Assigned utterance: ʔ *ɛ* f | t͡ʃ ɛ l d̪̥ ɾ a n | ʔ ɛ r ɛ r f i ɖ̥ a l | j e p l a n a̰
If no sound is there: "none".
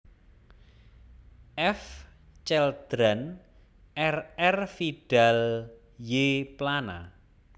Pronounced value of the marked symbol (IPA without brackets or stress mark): ɛ